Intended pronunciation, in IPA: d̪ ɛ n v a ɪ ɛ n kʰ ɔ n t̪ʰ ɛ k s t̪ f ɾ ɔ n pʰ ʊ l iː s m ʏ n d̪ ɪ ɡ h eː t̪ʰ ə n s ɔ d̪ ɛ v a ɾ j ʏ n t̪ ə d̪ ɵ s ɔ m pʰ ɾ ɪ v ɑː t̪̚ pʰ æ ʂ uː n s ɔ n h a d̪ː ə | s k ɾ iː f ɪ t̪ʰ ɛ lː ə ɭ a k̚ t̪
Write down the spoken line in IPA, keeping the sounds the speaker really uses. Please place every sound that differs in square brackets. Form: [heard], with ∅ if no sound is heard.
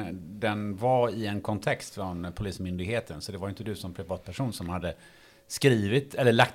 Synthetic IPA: d̪ ɛ n v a ɪ ɛ n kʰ ɔ n t̪ʰ ɛ k s t̪ f ɾ ɔ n pʰ ʊ l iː s m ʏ n d̪ ɪ ɡ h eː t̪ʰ ə n s ɔ d̪ ɛ v a ɾ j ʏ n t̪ ə d̪ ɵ s ɔ m pʰ ɾ ɪ v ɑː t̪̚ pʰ æ ʂ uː n s ɔ [m] h a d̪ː ə | s k ɾ iː [v] ɪ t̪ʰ ɛ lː ə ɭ a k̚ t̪